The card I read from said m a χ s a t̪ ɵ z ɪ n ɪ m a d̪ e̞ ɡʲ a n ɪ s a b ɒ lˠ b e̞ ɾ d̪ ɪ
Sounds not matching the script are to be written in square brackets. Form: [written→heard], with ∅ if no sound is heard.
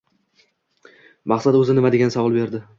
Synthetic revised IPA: m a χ s a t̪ ɵ z ɪ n ɪ m a d̪ e̞ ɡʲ a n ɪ s a [b→v] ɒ lˠ b e̞ ɾ d̪ ɪ